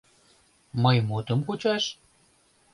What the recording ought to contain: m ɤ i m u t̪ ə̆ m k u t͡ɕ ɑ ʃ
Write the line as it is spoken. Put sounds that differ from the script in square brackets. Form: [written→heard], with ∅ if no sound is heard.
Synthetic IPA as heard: m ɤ [i→j] m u t̪ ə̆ m k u t͡ɕ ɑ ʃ